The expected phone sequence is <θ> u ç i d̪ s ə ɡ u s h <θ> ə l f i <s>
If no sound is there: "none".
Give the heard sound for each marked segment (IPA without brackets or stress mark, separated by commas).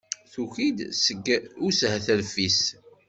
θ, θ, s